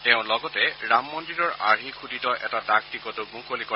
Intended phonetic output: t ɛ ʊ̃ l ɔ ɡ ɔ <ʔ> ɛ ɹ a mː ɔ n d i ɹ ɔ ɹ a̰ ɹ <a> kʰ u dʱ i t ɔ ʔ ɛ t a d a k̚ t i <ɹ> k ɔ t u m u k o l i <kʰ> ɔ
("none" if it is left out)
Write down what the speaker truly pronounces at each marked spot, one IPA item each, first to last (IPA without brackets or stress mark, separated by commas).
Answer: t, i, none, k